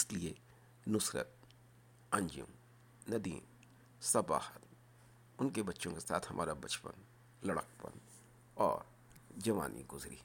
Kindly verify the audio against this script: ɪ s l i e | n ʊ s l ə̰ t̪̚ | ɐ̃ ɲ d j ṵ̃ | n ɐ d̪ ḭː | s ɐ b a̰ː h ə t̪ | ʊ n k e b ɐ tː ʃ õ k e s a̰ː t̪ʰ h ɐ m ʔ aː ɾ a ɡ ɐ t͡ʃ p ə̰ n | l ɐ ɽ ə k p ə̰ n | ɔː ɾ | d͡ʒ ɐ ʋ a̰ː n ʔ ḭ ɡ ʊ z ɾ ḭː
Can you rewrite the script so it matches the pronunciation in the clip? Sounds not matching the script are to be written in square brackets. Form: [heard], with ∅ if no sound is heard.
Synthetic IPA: ɪ s l i e | n ʊ s [ɾ] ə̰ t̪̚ | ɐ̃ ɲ [d͡ʒ] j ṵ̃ | n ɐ d̪ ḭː | s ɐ b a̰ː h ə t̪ | ʊ n k e b ɐ tː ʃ õ k e s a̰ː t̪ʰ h ɐ m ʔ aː ɾ a [b] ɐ t͡ʃ p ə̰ n | l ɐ ɽ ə k p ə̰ n | ɔː ɾ | d͡ʒ ɐ ʋ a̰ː n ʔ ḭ ɡ ʊ z ɾ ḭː